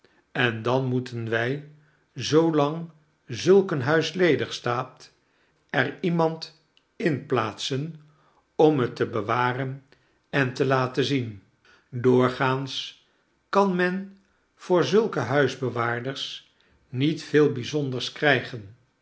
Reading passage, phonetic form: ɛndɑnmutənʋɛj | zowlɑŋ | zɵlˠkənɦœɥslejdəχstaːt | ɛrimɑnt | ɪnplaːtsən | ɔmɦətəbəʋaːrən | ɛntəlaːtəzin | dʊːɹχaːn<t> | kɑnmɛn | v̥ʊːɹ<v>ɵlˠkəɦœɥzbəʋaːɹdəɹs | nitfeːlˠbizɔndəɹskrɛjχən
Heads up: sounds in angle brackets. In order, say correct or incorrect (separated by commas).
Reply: incorrect, incorrect